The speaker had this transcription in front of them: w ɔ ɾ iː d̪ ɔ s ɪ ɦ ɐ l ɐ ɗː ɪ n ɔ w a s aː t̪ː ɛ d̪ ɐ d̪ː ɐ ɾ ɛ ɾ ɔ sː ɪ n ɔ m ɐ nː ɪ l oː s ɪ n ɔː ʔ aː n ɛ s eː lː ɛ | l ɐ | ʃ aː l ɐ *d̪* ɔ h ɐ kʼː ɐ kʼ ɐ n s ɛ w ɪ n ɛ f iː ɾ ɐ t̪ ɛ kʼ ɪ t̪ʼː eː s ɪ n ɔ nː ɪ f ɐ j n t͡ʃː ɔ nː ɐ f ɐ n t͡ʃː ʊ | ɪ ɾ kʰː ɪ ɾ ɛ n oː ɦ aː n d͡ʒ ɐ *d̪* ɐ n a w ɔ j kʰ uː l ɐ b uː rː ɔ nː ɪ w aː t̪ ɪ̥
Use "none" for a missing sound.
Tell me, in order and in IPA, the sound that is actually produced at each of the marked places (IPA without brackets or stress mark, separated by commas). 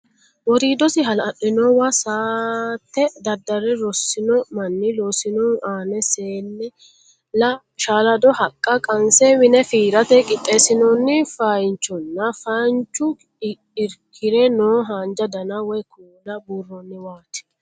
d̪, d̪